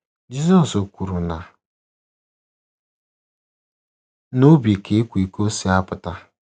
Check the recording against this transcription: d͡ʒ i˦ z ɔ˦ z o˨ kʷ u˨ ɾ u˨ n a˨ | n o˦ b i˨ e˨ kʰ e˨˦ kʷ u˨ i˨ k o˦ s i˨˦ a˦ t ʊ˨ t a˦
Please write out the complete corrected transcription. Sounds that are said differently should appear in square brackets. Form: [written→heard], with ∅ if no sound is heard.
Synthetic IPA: d͡ʒ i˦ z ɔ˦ [z→s] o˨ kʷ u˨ ɾ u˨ n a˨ | n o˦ b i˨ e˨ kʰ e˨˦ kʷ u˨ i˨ k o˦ s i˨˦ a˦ [t→p] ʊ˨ t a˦